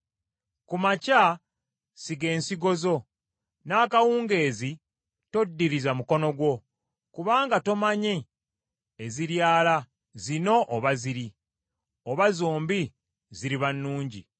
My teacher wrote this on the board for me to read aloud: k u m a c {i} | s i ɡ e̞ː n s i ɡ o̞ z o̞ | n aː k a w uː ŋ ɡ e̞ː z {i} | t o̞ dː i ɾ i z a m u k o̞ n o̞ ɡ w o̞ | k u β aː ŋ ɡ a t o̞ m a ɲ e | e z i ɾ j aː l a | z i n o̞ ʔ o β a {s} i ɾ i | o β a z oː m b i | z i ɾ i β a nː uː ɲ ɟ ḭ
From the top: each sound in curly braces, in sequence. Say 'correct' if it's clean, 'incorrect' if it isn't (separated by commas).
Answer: incorrect, correct, incorrect